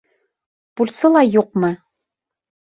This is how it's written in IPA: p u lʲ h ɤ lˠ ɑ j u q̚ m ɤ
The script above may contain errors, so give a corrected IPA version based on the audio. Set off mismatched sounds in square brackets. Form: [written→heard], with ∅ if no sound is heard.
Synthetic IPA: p u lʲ [h→s] ɤ lˠ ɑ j u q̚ m ɤ